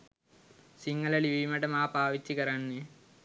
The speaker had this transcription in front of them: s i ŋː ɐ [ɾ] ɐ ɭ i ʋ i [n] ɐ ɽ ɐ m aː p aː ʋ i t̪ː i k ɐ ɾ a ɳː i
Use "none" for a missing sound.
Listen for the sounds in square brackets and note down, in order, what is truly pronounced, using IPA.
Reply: l, m

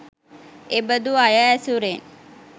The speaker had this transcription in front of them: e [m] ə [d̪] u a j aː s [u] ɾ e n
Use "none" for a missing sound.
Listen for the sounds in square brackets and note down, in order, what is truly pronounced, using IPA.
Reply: b, d̪, u

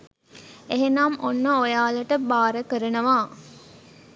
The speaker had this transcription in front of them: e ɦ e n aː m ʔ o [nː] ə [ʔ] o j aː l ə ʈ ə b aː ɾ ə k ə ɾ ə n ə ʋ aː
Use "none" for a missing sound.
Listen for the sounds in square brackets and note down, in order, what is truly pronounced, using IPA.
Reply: nː, none

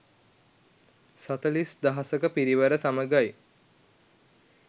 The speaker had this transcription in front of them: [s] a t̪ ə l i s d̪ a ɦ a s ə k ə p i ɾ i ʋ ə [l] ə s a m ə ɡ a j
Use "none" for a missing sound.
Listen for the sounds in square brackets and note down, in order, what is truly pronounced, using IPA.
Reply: s, ɾ

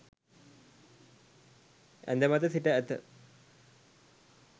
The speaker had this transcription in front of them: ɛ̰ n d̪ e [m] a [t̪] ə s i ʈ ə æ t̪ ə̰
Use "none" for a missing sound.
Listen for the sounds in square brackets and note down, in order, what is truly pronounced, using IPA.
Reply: m, t̪

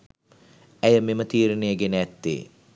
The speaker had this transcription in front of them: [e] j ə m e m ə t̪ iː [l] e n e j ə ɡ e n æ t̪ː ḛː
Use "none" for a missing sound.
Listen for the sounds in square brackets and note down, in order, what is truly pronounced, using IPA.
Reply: æ, ɾ

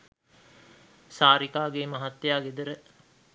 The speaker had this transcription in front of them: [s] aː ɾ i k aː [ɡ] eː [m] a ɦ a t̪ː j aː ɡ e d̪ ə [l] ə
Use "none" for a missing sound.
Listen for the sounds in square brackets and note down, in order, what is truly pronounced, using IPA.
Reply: s, ɡ, m, ɾ

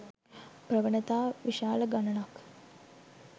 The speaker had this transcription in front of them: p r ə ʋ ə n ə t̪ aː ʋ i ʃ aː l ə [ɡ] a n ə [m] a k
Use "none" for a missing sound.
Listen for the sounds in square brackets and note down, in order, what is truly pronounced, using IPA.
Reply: ɡ, n

